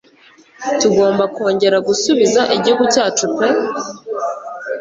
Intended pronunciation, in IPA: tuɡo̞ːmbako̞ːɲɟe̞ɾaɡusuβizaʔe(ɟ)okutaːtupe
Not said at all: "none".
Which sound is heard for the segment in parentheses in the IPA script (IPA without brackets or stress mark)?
ɟ